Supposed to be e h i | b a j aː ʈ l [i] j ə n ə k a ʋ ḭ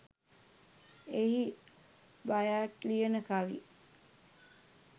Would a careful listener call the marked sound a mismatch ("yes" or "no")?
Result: no